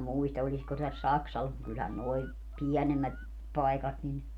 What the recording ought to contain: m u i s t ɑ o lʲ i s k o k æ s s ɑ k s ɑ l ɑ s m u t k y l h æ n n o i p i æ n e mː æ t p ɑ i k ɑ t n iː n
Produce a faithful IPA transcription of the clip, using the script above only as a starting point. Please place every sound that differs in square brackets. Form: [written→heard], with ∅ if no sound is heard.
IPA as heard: m u i s t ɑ o lʲ i s k o [k→t] æ s s ɑ k s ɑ l ɑ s m u t k y l h æ n n o i p i æ n e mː æ t p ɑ i k ɑ t n [iː→i] n

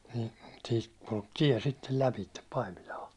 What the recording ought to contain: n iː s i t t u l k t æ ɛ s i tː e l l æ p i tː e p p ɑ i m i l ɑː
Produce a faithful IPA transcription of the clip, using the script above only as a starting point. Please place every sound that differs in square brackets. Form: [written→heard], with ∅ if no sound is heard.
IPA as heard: n iː s [i→iː] t [t→k] u l k t [æ→i] ɛ s i tː e l l æ p i tː e p p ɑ i m i l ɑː

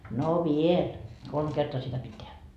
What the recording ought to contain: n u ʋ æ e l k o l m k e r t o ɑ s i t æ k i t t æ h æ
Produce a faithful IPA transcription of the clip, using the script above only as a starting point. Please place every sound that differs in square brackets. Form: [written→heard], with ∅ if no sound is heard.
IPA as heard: n [u→o] ʋ [æ→i] e l k o l m k e r t o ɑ s i t æ [k→p] i t t [æ→e] h æ

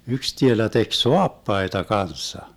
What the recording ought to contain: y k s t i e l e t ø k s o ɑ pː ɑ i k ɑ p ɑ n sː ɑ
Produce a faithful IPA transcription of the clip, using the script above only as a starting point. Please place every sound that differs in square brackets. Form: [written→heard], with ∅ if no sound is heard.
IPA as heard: y k s t i e l [e→æ] t [ø→e] k s o ɑ pː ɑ i [k→t] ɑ [p→k] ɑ n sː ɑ

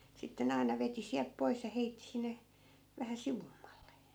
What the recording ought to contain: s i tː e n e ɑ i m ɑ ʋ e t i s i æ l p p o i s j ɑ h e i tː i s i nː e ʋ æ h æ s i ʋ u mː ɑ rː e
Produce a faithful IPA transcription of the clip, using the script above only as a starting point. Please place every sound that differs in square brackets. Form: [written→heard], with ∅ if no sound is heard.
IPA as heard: s i tː e n e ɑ i [m→n] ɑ ʋ e t i s i æ l p p o i s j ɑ h e i tː i s i nː e ʋ æ h æ s i ʋ u mː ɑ [rː→lː] e

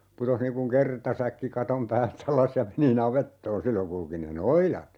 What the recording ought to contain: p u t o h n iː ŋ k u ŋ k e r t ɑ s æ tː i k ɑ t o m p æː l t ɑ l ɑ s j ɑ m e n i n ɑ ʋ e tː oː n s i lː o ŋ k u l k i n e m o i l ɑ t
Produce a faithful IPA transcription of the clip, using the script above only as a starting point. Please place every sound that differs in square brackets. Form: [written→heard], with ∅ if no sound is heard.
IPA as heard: p u t o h n iː ŋ k u ŋ k e r t ɑ s æ [tː→kː] i k ɑ t o m p æː l t ɑ l ɑ s j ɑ m e n i n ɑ ʋ e tː oː n s i lː o ŋ k u l k i n e [m→n] o i l ɑ t

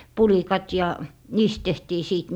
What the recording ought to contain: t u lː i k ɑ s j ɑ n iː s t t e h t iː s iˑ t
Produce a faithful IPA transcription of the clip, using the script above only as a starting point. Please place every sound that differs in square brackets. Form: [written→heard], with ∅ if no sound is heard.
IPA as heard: [t→p] u [lː→l] i k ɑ [s→t] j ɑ n iː s t t e h t iː s iˑ t

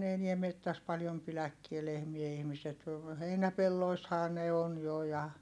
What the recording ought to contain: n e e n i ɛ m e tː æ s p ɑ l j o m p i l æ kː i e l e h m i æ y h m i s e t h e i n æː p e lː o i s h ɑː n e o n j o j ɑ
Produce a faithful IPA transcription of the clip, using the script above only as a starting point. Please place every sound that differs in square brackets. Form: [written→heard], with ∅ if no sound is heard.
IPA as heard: n e e n i ɛ m e tː æ s p ɑ l j o m p i l æ kː i e l e h m i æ [y→i] h m i s e t h e i n [æː→æ] p e lː o i s h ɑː n e o n j o j ɑ

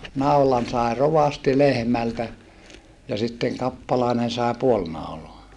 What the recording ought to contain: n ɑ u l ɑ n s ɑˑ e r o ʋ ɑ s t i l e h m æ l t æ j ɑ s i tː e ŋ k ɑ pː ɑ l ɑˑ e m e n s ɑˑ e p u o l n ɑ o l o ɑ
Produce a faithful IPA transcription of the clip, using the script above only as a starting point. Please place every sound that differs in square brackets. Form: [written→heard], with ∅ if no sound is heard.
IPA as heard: n ɑ u l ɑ n s ɑˑ e r o ʋ ɑ s t i l e h m æ l t æ j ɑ s i tː e ŋ k ɑ pː ɑ l ɑˑ e [m→n] e n s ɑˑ e p u o l n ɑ [o→u] l o ɑ

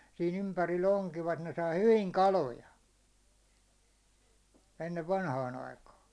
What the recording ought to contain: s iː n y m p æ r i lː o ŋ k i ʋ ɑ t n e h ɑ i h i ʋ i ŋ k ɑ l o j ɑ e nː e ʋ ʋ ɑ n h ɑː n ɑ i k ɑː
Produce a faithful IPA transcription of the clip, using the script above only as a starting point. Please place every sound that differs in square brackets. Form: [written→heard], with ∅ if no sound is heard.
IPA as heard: s iː n y m p æ r i lː o ŋ k i ʋ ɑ t n e [h→s] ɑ i h [i→y] ʋ i ŋ k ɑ l o j ɑ e nː e ʋ ʋ ɑ n h ɑː n ɑ i k ɑː

